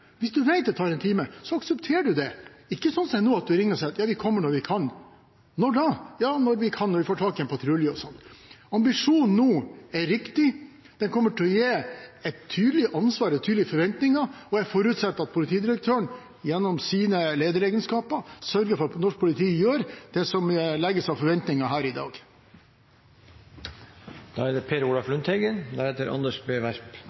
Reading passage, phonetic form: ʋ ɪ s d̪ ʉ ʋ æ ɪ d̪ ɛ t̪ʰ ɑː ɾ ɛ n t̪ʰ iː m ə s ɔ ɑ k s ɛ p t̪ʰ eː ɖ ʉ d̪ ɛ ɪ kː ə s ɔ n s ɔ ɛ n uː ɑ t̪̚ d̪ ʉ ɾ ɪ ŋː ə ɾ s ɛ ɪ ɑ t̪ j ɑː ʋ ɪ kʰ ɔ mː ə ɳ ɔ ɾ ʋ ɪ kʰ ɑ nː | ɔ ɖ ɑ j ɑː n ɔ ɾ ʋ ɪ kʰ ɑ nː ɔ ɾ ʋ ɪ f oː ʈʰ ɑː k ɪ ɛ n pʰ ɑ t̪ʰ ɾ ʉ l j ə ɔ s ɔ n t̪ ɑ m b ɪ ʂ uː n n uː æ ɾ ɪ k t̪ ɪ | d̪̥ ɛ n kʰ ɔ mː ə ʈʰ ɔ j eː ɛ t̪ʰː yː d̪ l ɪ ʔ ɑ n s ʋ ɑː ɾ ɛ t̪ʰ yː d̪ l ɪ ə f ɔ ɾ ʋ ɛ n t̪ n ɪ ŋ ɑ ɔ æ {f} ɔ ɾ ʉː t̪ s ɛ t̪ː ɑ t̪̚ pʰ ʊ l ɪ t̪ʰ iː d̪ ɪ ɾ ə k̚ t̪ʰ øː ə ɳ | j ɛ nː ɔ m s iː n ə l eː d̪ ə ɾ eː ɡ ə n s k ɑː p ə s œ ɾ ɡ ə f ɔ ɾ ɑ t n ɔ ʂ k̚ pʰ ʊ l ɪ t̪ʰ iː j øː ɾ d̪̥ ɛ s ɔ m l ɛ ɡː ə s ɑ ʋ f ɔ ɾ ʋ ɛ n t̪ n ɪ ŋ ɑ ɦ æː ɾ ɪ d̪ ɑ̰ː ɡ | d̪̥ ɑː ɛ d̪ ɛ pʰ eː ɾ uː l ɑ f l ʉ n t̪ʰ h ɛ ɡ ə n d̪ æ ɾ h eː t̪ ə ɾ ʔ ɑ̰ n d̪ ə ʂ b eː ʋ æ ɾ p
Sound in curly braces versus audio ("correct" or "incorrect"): correct